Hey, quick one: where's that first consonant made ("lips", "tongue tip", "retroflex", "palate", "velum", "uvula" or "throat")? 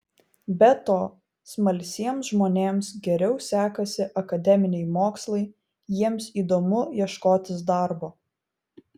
lips